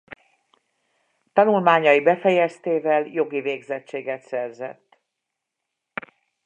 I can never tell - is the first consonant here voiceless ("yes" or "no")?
yes